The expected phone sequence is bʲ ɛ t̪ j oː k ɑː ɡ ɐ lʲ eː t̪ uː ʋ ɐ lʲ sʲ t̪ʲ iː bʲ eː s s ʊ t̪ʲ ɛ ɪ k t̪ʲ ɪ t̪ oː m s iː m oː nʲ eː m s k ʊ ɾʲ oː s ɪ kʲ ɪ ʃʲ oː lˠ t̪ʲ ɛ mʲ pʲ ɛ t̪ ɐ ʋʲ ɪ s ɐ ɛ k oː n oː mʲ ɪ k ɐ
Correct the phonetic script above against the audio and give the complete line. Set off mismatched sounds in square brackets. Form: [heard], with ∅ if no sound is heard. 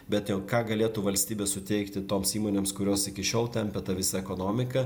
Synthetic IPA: bʲ ɛ t̪ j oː k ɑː ɡ ɐ lʲ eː t̪ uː ʋ ɐ lʲ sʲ t̪ʲ iː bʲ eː s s ʊ t̪ʲ ɛ ɪ k t̪ʲ ɪ t̪ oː m s iː m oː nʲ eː m s k ʊ ɾʲ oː s ɪ kʲ ɪ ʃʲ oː lˠ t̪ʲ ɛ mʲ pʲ ɛ t̪ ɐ ʋʲ ɪ s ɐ ɛ k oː n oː mʲ ɪ k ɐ